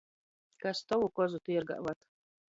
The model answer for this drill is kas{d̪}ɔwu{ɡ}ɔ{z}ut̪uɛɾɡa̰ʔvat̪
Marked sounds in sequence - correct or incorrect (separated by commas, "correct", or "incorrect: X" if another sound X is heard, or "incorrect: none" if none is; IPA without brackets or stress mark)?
incorrect: t̪, incorrect: k, correct